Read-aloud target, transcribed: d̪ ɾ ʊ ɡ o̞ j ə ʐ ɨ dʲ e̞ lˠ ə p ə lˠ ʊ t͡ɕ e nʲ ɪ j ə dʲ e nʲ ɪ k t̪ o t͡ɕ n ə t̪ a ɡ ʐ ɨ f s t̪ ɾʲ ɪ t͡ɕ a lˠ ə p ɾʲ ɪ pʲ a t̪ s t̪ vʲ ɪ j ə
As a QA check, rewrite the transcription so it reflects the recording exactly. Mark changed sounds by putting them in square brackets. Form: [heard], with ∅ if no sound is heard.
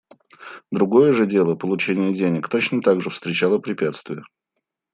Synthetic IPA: d̪ ɾ ʊ ɡ o̞ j ə ʐ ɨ dʲ e̞ lˠ ə p ə lˠ ʊ t͡ɕ e nʲ ɪ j ə dʲ e nʲ ɪ k t̪ o t͡ɕ n ə t̪ a ɡ ʐ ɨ f s t̪ ɾʲ ɪ t͡ɕ a lˠ ə p ɾʲ ɪ pʲ a t̪ s t̪ vʲ ɪ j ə